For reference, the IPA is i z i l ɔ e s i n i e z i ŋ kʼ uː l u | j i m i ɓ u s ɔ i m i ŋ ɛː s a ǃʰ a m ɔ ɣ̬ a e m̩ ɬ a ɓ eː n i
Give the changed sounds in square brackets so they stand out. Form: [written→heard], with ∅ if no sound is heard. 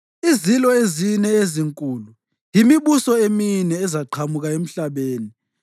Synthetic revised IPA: i z i l ɔ e [s→z] i n [i→ɛ] e z i ŋ kʼ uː l u | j i m i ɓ u s ɔ [i→e] m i [ŋ→n] ɛː [s→z] a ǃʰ a m [ɔ→u] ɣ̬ a e m̩ ɬ a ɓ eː n i